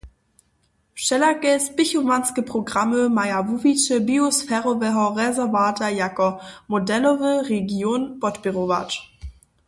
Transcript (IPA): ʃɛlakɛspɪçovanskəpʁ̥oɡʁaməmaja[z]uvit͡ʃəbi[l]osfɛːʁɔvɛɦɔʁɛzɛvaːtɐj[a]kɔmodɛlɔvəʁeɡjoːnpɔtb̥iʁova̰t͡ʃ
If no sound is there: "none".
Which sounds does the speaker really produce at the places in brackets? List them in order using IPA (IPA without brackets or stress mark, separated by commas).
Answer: v, none, a